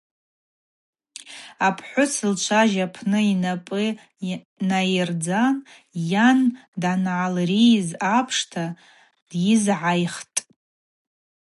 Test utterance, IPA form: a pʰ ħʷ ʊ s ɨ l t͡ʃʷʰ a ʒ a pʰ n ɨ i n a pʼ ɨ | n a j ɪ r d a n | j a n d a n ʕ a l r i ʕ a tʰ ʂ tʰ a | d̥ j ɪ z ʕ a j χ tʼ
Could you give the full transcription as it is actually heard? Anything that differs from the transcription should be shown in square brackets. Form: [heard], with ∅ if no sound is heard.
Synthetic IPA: a pʰ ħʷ ʊ s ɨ l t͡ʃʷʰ a ʒ a pʰ n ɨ i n a pʼ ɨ | n a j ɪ r [d͡z] a n | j a n d a n ʕ a l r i [z] a [pʰ] ʂ tʰ a | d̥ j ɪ z ʕ a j χ tʼ